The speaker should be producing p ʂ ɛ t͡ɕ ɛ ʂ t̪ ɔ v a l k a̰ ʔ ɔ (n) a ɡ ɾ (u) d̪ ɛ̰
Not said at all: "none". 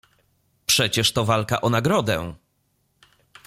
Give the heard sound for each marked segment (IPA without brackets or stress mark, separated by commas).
n, ɔ